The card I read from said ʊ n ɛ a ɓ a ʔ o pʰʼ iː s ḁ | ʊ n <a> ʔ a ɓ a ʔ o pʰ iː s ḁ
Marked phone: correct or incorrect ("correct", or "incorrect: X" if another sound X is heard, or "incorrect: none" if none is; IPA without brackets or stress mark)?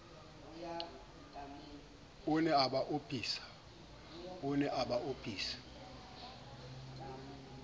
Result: incorrect: ɛ